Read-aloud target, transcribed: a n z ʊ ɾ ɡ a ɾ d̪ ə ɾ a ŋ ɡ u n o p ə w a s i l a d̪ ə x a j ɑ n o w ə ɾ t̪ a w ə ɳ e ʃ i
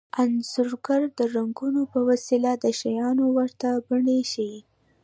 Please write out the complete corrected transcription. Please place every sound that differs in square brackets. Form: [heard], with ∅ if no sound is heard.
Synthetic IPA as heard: a n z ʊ ɾ ɡ a ɾ d̪ ə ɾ a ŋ ɡ u n o p ə w a s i l a d̪ ə [ʃ] a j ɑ n o w ə ɾ t̪ a [b] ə ɳ e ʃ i